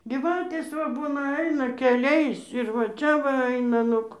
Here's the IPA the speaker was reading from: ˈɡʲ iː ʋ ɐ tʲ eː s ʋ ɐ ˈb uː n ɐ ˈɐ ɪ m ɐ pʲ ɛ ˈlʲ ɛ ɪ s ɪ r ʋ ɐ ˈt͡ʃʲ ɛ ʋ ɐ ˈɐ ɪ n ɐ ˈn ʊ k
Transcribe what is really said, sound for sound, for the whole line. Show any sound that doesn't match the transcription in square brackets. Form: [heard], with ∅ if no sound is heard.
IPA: ˈɡʲ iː ʋ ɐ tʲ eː s ʋ ɐ ˈb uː n ɐ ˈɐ ɪ [n] ɐ [kʲ] ɛ ˈlʲ ɛ ɪ s ɪ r ʋ ɐ ˈt͡ʃʲ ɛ ʋ ɐ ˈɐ ɪ n ɐ ˈn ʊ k